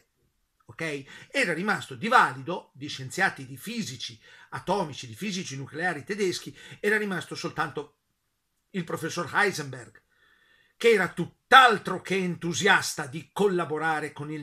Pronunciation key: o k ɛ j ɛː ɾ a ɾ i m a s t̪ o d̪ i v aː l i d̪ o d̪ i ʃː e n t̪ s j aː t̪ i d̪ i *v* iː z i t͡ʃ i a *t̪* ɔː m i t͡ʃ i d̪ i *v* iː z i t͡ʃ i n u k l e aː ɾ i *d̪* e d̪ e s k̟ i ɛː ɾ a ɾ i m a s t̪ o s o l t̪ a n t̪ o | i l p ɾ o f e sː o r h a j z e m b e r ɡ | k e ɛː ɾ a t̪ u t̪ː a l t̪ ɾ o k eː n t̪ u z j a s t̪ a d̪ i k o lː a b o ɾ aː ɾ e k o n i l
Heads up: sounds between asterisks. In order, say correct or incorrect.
incorrect, correct, incorrect, incorrect

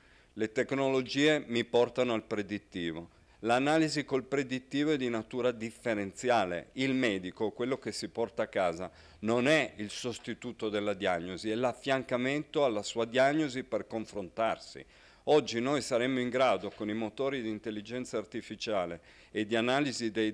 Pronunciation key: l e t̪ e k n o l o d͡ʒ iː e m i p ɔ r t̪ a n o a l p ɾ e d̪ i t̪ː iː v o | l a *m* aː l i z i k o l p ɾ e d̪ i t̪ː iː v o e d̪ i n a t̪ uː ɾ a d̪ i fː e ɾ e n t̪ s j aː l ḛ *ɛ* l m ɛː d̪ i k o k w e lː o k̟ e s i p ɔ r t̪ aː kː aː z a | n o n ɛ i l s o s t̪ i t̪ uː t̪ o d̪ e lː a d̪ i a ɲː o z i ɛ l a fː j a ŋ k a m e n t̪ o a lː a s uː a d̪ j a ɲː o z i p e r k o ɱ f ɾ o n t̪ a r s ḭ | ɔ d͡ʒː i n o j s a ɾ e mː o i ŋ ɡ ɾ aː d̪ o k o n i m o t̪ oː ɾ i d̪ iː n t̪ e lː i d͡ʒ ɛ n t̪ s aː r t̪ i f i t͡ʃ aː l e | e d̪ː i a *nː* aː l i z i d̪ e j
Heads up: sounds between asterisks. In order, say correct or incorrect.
incorrect, incorrect, incorrect

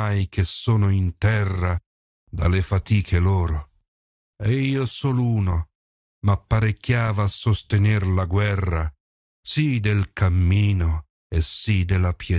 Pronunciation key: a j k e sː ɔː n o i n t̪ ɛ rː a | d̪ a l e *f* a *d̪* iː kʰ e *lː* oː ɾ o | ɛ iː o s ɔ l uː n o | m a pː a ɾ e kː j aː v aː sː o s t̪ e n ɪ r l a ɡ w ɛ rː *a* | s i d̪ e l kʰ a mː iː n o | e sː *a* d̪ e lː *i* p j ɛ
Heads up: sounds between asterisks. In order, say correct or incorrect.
correct, incorrect, incorrect, correct, incorrect, incorrect

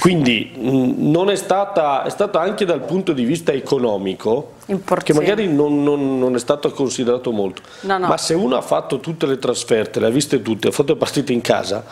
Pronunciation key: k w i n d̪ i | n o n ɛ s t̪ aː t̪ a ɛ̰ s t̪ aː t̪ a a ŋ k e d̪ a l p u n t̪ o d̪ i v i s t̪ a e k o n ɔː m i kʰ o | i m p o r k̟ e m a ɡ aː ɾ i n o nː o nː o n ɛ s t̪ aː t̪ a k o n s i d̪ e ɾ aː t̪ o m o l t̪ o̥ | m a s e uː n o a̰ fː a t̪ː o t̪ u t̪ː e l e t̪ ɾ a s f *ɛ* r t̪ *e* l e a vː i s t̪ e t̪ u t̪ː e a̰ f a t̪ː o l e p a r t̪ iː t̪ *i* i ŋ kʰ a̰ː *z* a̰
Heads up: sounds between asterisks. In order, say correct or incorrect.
correct, correct, incorrect, correct

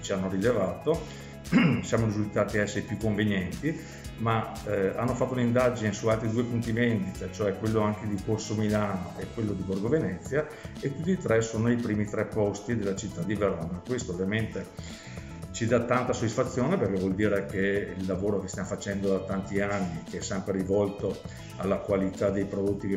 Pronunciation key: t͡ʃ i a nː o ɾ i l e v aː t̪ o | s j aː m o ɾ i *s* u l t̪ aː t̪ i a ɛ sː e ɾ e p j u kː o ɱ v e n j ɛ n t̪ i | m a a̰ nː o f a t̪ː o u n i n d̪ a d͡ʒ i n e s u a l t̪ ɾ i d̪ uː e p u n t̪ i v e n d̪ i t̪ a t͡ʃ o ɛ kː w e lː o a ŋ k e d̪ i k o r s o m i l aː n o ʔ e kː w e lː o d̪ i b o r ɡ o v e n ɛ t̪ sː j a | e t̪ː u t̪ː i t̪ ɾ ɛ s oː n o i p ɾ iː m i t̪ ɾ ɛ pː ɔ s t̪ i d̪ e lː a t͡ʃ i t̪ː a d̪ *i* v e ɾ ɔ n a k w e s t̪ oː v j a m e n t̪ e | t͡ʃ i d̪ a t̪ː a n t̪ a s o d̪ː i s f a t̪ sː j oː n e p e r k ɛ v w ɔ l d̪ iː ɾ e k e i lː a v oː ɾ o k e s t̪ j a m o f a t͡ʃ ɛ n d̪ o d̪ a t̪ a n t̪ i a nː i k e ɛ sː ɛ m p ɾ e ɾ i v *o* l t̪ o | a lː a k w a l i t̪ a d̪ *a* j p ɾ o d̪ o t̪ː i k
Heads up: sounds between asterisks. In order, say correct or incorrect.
incorrect, correct, incorrect, incorrect

